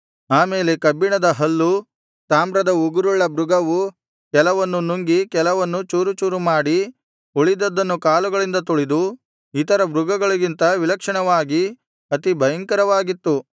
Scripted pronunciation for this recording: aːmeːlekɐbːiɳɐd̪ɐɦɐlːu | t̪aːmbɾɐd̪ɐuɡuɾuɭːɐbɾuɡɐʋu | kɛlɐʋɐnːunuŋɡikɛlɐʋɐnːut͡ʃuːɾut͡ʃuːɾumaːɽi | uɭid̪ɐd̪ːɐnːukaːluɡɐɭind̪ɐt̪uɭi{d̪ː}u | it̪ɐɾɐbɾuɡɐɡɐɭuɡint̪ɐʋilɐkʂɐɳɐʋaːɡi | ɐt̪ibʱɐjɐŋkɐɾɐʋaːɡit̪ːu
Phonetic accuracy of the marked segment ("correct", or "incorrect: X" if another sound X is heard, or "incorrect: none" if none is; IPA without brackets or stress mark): incorrect: d̪